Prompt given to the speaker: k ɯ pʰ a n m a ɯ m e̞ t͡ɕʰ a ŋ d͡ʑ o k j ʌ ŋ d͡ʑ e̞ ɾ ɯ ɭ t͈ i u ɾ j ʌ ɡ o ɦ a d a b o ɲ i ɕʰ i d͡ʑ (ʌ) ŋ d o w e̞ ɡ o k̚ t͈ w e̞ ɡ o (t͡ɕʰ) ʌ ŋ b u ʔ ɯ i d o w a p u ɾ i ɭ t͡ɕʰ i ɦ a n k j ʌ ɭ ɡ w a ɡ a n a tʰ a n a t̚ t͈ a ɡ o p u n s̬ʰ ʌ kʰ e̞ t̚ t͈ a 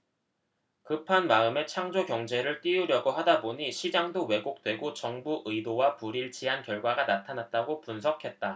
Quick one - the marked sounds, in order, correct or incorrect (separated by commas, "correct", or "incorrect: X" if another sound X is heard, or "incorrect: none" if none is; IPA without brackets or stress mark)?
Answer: incorrect: a, incorrect: t͡ɕ